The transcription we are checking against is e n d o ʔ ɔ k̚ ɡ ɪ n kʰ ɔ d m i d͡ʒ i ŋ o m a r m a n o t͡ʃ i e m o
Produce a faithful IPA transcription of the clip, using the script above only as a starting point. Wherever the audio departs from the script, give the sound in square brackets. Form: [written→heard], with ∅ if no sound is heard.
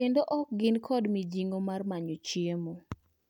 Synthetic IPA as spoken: e n d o ʔ ɔ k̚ ɡ ɪ n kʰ ɔ d m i d͡ʒ i ŋ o m a r m a [n→ɲ] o t͡ʃ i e m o